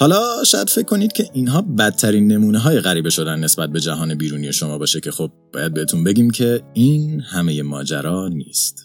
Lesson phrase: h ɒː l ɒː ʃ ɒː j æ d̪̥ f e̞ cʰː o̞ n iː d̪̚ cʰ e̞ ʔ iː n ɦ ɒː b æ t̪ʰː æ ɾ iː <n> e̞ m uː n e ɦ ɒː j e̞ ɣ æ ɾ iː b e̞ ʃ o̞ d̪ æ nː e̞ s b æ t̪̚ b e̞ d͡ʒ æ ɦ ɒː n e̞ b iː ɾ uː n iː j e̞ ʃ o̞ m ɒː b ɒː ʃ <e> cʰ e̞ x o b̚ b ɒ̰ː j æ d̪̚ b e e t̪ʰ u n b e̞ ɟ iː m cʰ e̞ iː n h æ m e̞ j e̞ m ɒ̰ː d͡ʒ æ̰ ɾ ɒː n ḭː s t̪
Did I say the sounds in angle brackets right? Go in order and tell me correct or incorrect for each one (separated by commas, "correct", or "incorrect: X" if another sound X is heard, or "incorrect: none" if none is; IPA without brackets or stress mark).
incorrect: nː, correct